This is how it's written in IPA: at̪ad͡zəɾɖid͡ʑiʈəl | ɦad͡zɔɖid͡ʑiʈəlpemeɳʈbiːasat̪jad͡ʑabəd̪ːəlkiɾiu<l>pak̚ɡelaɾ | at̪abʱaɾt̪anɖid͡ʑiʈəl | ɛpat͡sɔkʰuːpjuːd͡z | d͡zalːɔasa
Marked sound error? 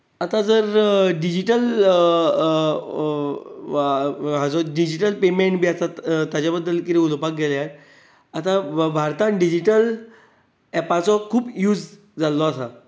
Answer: no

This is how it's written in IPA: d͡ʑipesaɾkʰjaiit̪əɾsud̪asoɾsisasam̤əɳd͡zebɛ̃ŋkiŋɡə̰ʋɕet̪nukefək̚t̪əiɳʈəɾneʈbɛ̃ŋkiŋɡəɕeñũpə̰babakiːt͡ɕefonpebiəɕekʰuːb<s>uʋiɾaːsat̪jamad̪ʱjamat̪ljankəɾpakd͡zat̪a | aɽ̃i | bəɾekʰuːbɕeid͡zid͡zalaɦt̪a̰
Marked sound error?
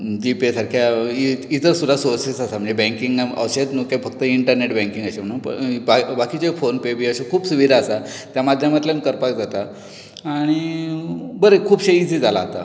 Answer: no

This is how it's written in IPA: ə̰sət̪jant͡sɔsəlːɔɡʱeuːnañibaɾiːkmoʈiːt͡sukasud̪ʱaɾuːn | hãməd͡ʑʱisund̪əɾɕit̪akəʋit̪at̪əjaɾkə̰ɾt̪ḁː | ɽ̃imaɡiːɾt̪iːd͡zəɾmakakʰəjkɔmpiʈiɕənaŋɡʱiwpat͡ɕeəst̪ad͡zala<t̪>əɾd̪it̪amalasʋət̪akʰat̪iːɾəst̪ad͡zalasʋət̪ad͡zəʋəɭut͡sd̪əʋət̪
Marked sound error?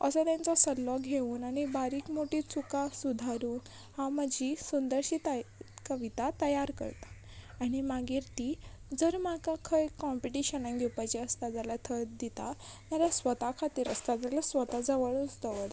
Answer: yes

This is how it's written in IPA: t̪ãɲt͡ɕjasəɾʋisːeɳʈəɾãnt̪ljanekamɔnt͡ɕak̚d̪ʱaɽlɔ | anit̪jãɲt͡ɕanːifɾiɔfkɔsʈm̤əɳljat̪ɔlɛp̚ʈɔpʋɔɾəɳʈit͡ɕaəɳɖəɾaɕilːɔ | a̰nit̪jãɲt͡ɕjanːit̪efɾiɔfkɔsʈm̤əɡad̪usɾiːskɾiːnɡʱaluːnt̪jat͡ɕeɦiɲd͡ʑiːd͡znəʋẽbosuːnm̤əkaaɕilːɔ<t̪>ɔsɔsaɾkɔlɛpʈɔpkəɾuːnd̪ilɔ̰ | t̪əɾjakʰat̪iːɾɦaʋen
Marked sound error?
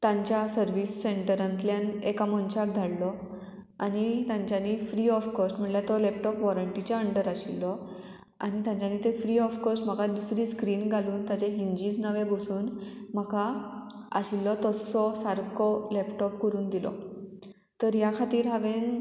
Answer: no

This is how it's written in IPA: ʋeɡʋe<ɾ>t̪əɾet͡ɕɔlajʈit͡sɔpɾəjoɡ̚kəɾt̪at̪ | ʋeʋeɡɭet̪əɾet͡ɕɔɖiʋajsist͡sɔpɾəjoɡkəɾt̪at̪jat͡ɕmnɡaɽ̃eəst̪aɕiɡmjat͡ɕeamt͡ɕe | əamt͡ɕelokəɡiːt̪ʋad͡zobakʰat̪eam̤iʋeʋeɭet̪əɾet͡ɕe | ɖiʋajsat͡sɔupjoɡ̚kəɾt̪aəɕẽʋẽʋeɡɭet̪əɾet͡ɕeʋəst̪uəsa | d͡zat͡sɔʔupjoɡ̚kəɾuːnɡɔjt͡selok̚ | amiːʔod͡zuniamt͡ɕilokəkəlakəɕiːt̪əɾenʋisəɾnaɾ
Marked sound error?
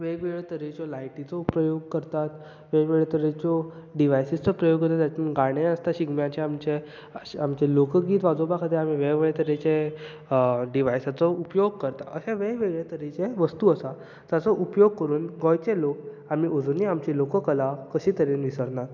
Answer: yes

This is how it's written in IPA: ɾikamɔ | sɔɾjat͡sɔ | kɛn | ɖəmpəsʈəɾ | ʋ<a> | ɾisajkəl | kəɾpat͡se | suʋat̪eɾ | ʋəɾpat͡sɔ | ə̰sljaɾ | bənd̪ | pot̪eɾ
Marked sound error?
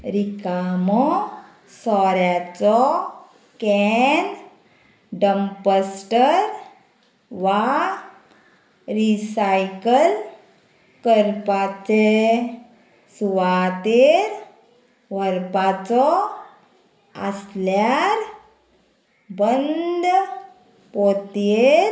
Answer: no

